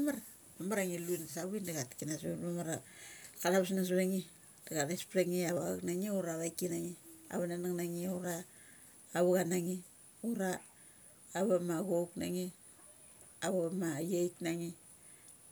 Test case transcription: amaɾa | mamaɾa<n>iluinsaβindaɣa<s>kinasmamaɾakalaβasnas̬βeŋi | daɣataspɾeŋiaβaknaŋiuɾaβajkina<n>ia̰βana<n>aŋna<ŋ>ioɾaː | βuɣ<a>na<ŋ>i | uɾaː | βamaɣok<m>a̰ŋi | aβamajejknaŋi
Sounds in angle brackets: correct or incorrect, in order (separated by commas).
incorrect, incorrect, incorrect, correct, correct, correct, correct, incorrect